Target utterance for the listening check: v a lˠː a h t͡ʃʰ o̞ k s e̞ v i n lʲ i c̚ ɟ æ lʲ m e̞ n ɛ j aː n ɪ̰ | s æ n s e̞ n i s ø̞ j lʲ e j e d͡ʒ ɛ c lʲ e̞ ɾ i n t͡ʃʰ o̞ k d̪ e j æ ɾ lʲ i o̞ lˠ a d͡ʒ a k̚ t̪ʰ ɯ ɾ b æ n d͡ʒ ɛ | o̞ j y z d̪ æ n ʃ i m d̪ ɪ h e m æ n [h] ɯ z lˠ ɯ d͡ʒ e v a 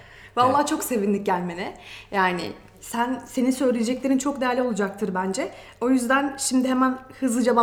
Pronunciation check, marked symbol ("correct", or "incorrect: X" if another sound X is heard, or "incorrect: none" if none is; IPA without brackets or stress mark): correct